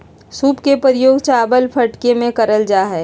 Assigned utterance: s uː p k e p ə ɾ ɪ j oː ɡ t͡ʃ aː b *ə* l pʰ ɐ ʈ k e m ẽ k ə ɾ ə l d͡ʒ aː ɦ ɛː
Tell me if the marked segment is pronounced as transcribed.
yes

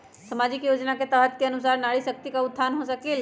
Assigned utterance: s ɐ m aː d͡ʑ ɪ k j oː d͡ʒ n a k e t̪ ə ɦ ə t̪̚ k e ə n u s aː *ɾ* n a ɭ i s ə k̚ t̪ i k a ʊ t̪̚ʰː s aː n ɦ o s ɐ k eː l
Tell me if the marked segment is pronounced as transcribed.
yes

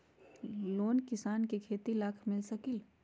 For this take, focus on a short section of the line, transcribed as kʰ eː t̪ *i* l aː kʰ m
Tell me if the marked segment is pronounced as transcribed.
yes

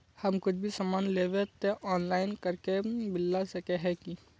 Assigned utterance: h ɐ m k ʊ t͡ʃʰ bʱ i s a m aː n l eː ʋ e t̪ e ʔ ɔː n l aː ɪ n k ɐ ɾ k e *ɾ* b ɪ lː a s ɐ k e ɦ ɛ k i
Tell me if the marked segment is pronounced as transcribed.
no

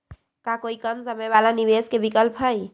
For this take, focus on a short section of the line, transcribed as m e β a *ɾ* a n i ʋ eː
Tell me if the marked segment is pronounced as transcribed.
no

